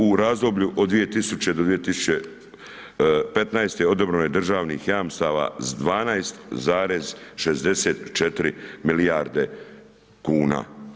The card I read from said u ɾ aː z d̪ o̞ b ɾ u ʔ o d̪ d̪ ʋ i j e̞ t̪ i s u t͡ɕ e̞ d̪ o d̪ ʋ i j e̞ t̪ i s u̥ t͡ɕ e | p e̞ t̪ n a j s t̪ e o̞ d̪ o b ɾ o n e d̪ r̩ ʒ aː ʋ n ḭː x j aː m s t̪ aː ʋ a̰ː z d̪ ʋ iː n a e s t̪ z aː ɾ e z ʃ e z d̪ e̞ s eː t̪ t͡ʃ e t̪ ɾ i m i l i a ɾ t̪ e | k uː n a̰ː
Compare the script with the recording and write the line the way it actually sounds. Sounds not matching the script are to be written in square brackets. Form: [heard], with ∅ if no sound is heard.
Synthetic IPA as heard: u ɾ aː z d̪ o̞ b [ʎ] u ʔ o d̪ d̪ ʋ i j e̞ t̪ i s u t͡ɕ e̞ d̪ o d̪ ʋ i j e̞ t̪ i s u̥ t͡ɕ e | p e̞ t̪ n a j s t̪ e o̞ d̪ o b ɾ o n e d̪ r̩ ʒ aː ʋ n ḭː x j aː m s t̪ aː ʋ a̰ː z d̪ ʋ [aː] n a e s t̪ z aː ɾ e z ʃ e z d̪ e̞ s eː t̪ t͡ʃ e t̪ ɾ i m i l i a ɾ [d̪] e | k uː n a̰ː